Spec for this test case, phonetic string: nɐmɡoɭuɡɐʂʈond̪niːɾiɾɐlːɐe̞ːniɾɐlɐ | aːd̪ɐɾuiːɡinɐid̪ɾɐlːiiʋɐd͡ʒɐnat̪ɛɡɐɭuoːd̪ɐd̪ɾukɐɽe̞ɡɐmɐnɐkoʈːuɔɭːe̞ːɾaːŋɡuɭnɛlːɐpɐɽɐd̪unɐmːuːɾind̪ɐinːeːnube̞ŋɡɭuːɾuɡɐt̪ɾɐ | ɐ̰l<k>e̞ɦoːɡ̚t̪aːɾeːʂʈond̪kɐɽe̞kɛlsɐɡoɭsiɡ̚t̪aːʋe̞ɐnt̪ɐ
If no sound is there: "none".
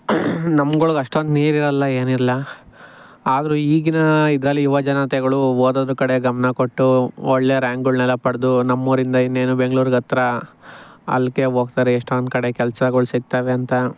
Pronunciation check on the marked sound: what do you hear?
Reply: k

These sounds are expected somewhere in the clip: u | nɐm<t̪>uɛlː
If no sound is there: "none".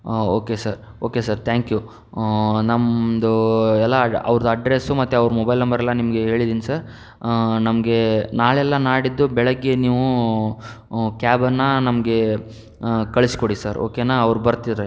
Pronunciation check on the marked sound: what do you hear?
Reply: d̪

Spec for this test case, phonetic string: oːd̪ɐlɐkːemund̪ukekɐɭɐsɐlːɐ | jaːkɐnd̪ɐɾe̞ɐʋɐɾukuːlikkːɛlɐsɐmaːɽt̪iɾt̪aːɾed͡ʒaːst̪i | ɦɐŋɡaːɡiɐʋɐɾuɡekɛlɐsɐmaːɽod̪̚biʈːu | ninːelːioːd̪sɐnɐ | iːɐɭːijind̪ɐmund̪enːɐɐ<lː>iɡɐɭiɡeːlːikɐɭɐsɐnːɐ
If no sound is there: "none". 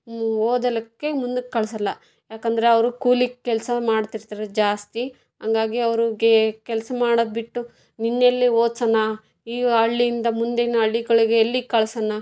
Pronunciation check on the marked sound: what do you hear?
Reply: ɭː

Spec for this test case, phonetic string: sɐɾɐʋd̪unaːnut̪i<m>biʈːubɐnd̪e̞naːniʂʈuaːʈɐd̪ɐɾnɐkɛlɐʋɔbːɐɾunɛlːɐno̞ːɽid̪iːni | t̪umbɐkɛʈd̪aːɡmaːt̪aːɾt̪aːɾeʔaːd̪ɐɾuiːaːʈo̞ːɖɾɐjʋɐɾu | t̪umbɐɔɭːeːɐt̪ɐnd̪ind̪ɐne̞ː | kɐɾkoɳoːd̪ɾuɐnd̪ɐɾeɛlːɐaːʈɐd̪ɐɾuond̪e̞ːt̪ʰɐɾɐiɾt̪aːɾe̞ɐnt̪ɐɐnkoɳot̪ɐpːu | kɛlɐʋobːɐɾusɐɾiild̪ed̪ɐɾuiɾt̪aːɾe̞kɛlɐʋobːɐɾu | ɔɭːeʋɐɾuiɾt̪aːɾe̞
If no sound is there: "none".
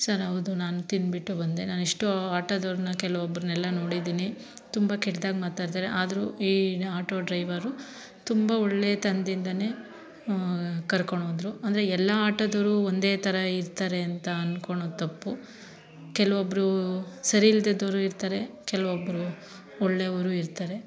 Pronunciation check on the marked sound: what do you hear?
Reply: n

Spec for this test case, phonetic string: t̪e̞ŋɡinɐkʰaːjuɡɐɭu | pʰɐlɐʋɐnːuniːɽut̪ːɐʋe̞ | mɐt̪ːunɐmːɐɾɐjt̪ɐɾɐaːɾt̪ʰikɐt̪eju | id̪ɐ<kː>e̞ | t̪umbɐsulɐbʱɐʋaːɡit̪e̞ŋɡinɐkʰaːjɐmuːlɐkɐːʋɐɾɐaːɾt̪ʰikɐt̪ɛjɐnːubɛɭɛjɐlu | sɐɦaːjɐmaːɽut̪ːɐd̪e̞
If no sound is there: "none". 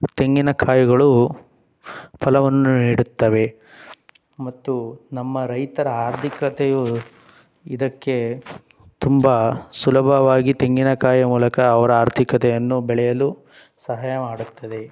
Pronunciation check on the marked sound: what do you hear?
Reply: kː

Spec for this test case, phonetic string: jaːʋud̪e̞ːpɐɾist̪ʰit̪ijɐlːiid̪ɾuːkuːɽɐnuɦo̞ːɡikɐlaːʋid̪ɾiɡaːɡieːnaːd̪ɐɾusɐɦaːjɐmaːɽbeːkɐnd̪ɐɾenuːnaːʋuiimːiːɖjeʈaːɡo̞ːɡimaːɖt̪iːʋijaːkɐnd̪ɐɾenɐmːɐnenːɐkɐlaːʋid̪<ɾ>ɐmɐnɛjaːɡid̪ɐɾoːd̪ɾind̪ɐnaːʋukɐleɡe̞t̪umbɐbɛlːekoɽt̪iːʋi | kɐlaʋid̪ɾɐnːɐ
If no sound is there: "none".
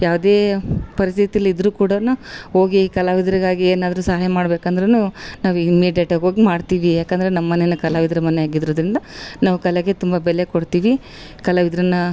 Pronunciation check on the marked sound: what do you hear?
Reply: ɾ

